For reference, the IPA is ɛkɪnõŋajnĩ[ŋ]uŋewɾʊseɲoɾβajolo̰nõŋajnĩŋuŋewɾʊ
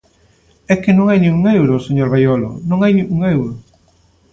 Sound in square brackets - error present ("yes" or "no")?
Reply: no